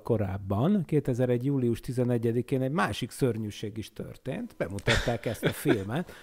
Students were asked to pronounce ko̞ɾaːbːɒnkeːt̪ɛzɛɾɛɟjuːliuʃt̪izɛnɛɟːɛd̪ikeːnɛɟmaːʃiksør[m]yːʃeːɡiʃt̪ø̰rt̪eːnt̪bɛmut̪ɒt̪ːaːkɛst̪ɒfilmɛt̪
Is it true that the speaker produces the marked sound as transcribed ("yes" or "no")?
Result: no